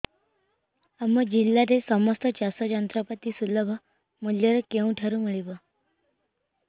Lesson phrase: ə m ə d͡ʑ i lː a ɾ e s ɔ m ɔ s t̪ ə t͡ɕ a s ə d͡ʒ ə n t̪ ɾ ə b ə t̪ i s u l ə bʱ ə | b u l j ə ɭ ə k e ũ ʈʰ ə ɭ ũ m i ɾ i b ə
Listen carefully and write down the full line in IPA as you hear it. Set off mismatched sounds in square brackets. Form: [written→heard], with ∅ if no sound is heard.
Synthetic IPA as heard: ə m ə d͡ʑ i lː a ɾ e s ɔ m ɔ s t̪ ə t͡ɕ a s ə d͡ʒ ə n t̪ ɾ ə [b→p] ə t̪ i s u l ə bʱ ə | [b→m] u l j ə [ɭ→ɾ] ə k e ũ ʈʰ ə [ɭ→ɾ] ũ m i [ɾ→ɭ] i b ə